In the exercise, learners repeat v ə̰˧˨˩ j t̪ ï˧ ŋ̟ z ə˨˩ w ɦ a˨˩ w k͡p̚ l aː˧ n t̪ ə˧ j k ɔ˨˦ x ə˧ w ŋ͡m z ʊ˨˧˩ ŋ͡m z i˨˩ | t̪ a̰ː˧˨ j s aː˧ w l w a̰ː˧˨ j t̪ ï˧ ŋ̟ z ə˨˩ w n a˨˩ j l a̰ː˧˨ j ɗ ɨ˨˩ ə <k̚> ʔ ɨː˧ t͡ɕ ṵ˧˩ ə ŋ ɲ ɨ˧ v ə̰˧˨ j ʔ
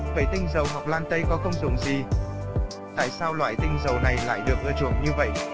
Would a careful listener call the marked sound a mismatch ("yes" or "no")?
no